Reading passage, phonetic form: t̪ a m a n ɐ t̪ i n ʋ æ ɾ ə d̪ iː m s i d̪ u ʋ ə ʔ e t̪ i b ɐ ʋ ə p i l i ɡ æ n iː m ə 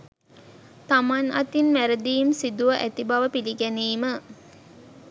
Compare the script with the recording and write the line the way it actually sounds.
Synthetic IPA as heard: t̪ a m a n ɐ t̪ i n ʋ æ ɾ ə d̪ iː m s i d̪ u ʋ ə ʔ æ t̪ i b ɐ ʋ ə p i l i ɡ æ n iː m ə